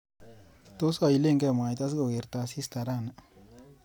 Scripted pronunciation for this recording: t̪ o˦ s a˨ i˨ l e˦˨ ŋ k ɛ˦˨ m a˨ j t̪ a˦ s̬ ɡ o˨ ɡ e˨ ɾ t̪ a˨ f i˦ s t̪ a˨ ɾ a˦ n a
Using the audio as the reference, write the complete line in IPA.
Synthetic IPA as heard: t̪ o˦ s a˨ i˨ l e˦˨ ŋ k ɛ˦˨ m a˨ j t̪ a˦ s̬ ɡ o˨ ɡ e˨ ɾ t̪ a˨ s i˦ s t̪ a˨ ɾ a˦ n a